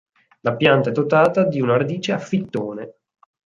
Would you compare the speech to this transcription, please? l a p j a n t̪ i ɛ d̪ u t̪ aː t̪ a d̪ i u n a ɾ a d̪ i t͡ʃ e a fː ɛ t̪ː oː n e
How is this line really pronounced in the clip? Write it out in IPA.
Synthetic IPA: l a p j a n t̪ a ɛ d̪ o t̪ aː t̪ a d̪ i u n a ɾ a d̪ iː t͡ʃ e a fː i t̪ː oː n e